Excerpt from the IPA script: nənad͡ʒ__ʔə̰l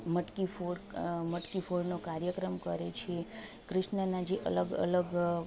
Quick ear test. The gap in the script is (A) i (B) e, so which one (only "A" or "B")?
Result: B